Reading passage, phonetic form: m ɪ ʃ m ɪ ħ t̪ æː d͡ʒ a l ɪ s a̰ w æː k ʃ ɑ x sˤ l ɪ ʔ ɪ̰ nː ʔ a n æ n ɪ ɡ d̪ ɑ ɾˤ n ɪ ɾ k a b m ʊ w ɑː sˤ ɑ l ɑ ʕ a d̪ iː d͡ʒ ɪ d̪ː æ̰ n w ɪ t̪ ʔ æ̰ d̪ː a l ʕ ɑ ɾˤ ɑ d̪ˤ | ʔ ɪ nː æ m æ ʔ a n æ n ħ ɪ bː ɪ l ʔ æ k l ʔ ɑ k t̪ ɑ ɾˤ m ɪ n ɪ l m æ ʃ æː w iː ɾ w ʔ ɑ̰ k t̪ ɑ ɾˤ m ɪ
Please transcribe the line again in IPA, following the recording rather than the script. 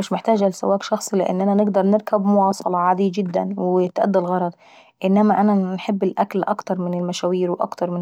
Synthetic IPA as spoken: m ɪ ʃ m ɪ ħ t̪ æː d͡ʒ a l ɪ s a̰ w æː k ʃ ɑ x sˤ l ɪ ʔ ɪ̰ nː ʔ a n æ n ɪ ɡ d̪ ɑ ɾˤ n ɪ ɾ k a b m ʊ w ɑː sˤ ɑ l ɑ ʕ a d̪ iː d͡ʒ ɪ d̪ː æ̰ n w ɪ t̪ ʔ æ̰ d̪ː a l ɣ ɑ ɾˤ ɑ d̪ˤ | ʔ ɪ nː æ m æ ʔ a n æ n ħ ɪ bː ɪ l ʔ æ k l ʔ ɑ k t̪ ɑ ɾˤ m ɪ n ɪ l m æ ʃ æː w iː ɾ w ʔ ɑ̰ k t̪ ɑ ɾˤ m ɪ

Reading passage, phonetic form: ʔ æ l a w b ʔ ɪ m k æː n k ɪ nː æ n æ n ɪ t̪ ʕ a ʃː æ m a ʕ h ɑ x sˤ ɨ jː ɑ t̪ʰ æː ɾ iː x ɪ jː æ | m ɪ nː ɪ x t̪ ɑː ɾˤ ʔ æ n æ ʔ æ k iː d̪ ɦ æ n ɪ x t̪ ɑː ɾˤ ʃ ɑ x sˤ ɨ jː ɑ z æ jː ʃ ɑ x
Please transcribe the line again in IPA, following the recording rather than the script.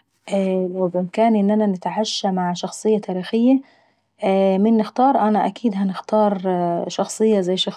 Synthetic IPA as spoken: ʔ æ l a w b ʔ ɪ m k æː n ʔ ɪ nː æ n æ n ɪ t̪ ʕ a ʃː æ m a ʕ ʃ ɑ x sˤ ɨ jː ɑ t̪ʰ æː ɾ iː x ɪ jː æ | m ɪ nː ɪ x t̪ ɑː ɾˤ ʔ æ n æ ʔ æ k iː d̪ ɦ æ n ɪ x t̪ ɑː ɾˤ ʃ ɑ x sˤ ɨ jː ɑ z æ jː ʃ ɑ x

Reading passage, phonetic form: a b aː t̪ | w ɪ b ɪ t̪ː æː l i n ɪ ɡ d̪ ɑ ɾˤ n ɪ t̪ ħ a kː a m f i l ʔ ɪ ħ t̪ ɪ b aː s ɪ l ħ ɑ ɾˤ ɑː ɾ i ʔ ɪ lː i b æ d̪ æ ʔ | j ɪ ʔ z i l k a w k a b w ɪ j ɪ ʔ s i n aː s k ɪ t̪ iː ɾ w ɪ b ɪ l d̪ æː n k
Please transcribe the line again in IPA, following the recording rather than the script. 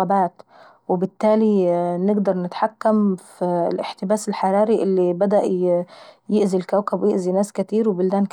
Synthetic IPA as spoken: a b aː t̪ | w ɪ b ɪ t̪ː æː l i n ɪ ɡ d̪ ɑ ɾˤ n ɪ t̪ ħ a kː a m f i l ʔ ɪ ħ t̪ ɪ b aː s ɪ l ħ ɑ ɾˤ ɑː ɾ i ʔ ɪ lː i b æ d̪ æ ʔ | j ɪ ʔ z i l k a w k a b w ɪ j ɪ ʔ z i n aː s k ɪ t̪ iː ɾ w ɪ b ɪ l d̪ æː n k

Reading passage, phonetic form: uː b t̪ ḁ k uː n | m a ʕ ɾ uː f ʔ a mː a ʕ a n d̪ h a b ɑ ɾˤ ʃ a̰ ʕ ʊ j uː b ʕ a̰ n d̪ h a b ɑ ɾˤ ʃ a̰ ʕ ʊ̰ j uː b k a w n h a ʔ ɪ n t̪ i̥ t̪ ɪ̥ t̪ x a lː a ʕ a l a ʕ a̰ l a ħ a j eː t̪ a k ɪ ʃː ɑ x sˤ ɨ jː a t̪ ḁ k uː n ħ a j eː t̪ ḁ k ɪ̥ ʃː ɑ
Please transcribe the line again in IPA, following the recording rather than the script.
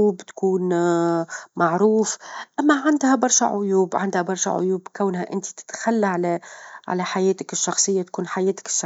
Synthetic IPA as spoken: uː b t̪ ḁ k uː n | m a ʕ ɾ uː f ʔ a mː a ʕ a n d̪ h a b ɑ ɾˤ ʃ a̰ ʕ ʊ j uː b ʕ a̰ n d̪ h a b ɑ ɾˤ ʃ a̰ ʕ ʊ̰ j uː b k a w n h a ʔ ɪ n t̪ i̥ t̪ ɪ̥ t̪ x a lː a ʕ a l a ʕ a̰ l a ħ a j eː t̪ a k ɪ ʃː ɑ x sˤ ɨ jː a t̪ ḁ k uː n ħ a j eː t̪ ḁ k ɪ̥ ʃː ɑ

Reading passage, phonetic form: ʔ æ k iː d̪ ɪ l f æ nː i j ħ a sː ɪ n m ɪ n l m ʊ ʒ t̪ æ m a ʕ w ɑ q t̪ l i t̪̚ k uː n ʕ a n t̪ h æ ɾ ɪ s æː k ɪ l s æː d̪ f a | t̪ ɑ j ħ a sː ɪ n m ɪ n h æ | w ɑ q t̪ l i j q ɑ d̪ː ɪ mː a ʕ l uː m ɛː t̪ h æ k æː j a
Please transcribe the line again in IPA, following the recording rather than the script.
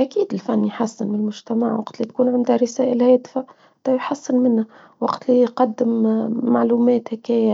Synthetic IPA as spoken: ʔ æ k iː d̪ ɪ l f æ nː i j ħ a sː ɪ n m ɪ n l m ʊ ʒ t̪ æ m a ʕ w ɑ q t̪ l i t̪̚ k uː n ʕ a n d̪ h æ ɾ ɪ s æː ʔ ɪ l h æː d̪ f a | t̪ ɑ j ħ a sː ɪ n m ɪ n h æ | w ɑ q t̪ l i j q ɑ d̪ː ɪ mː a ʕ l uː m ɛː t̪ h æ k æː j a

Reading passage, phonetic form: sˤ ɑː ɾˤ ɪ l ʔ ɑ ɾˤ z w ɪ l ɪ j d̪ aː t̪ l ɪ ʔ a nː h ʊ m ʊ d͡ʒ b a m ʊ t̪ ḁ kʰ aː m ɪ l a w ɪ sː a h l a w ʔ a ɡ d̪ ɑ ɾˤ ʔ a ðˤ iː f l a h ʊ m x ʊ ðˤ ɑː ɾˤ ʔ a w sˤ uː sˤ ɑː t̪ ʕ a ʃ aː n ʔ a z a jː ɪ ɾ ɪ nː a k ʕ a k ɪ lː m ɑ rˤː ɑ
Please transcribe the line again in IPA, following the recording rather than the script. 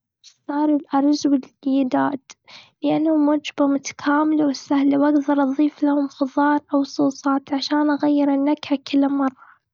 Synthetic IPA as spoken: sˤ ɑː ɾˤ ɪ l ʔ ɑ ɾˤ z w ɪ l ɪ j d̪ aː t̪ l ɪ ʔ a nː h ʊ m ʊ d͡ʒ b a m ʊ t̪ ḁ kʰ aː m ɪ l a w ɪ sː a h l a w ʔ a ɡ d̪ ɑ ɾˤ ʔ ɑ ðˤ iː f l a h ʊ m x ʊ ðˤ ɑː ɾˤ ʔ a w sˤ uː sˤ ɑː t̪ ʕ a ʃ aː n ʔ a ɣ a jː ɪ ɾ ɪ nː a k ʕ a k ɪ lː m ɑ rˤː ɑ

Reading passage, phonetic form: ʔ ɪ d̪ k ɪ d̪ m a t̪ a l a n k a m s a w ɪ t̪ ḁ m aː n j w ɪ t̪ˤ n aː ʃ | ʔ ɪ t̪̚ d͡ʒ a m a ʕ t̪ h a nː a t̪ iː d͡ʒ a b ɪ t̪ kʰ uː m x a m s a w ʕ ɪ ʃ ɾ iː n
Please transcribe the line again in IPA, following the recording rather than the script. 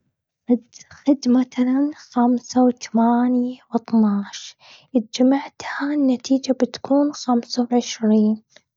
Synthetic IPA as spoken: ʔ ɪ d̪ x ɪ d̪ m a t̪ a l a n x a m s a w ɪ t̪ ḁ m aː n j w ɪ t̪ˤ n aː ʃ | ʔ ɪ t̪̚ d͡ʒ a m a ʕ t̪ h a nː a t̪ iː d͡ʒ a b ɪ t̪ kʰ uː n x a m s a w ʕ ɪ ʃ ɾ iː n

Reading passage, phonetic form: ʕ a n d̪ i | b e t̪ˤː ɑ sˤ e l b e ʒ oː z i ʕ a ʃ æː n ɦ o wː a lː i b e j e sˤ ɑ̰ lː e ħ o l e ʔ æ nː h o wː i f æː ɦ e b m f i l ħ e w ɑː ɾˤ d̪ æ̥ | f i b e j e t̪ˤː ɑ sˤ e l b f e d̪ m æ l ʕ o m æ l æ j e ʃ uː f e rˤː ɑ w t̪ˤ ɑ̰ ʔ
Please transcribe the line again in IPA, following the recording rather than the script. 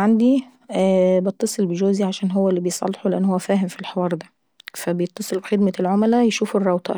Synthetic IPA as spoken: ʕ a n d̪ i | b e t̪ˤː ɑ sˤ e l b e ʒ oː z i ʕ a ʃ æː n ɦ o wː æ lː i b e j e sˤ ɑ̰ lː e ħ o l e ʔ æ nː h o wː æ f æː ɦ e m f i l ħ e w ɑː ɾˤ d̪ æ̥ | f æ b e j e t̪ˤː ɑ sˤ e l b x e d̪ m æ l ʕ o m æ l æ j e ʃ uː f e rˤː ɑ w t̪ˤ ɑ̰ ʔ

